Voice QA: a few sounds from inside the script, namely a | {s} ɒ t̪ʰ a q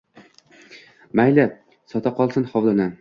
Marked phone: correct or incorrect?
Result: correct